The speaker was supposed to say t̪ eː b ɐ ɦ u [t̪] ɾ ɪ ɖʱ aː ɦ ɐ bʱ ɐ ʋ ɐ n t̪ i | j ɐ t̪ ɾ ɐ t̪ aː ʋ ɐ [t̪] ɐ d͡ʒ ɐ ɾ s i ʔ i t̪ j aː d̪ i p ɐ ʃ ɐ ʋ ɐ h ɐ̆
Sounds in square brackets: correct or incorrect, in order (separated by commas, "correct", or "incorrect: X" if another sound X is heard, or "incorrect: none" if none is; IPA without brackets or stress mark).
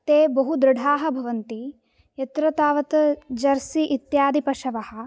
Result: incorrect: d̪, correct